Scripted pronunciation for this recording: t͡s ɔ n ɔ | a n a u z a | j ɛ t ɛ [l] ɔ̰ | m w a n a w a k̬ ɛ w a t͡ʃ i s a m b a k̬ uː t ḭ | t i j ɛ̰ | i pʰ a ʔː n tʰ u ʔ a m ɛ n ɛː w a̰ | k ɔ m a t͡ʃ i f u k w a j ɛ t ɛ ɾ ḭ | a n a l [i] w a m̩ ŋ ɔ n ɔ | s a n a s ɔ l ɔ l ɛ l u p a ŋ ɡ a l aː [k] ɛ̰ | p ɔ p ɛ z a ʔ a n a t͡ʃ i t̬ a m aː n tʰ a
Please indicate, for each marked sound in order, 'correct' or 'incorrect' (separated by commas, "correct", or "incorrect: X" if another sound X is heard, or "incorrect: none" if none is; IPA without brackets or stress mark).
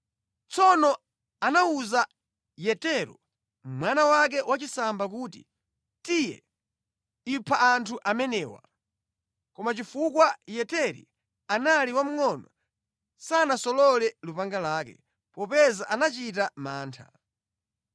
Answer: incorrect: ɾ, correct, correct